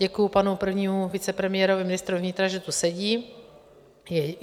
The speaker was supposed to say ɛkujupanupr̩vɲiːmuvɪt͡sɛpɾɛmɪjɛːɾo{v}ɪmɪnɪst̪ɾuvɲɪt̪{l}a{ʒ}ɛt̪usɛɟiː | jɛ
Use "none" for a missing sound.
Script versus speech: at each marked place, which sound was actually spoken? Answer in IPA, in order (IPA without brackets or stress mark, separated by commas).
v, ɾ, ʒ